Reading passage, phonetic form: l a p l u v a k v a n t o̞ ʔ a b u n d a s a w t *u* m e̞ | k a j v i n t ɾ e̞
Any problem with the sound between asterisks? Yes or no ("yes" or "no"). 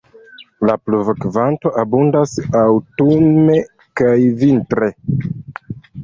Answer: no